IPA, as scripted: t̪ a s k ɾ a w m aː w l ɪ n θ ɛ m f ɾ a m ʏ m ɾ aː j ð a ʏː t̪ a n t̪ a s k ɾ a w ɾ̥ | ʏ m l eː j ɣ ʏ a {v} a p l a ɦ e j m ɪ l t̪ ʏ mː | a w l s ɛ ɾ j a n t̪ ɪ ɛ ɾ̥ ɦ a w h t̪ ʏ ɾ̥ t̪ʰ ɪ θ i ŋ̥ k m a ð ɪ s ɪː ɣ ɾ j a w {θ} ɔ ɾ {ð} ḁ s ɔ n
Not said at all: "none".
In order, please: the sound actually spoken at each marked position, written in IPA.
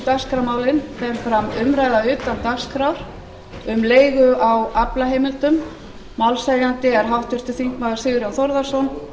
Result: w, θ, ð

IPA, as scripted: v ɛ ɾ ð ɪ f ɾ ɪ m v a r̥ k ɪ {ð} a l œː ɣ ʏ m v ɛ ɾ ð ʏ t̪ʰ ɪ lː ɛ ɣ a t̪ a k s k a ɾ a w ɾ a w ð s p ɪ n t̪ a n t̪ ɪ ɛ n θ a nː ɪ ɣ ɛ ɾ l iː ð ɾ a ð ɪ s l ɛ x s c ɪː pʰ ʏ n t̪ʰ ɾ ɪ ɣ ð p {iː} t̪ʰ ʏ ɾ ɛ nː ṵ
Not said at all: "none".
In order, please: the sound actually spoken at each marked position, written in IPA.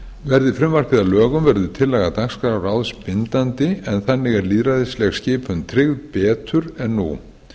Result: ð, ɛː

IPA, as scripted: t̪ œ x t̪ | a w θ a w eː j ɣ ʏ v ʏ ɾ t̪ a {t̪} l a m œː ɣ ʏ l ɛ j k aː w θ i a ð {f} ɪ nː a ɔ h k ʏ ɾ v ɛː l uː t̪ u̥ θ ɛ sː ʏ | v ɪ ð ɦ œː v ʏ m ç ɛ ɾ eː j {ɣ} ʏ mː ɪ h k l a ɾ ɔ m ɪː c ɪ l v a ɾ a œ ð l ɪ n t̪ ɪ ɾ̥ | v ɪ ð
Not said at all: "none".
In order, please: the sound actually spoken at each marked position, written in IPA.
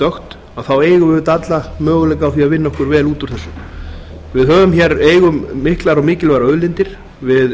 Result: t̪, v, ɣ

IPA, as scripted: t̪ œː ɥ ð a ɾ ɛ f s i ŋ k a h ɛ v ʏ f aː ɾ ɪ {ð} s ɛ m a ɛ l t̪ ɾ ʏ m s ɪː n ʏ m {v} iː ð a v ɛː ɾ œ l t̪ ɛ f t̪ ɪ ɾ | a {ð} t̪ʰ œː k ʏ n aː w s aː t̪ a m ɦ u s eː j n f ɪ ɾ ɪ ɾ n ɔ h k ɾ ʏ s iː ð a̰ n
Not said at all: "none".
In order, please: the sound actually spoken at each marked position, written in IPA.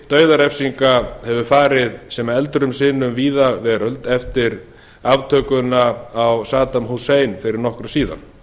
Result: ð, v, v

